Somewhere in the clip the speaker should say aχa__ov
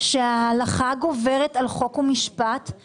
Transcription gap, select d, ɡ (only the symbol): ɡ